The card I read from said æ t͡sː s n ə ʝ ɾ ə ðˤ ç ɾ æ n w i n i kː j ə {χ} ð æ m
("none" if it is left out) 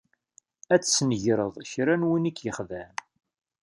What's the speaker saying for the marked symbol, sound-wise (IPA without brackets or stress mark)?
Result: χ